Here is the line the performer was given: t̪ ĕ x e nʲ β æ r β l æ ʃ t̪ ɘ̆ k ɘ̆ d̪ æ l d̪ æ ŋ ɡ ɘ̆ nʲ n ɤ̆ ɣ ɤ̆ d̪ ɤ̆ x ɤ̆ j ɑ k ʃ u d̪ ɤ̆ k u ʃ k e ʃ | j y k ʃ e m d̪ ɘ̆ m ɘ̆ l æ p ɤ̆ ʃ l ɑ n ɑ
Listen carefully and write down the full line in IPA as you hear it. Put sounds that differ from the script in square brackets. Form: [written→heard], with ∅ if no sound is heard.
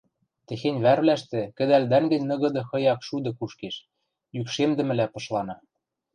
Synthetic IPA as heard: t̪ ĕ x e nʲ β æ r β l æ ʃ t̪ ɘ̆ k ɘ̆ d̪ æ l d̪ æ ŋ ɡ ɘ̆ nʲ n ɤ̆ ɣ ɤ̆ d̪ ɤ̆ x ɤ̆ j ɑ k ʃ u d̪ ɤ̆ k u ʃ k e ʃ | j y k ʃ e m d̪ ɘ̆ m ɘ̆ l æ p ɤ̆ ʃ l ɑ n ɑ